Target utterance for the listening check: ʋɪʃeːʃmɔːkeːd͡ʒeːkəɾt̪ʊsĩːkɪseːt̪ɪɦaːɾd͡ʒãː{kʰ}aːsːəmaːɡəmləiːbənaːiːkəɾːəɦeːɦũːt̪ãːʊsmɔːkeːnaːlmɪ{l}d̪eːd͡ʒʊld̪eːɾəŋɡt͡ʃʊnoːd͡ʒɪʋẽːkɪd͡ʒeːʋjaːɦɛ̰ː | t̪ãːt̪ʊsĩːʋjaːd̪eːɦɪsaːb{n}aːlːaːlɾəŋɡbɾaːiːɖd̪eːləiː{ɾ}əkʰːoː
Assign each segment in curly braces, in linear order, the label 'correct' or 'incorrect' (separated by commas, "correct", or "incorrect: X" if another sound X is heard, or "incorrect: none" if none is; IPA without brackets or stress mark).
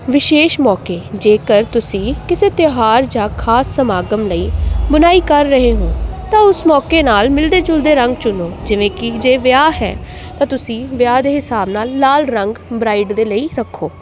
correct, correct, correct, correct